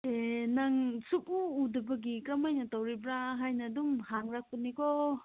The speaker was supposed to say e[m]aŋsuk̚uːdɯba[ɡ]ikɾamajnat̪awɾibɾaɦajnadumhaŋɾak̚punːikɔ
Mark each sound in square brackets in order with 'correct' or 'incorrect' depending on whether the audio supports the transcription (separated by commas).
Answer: incorrect, correct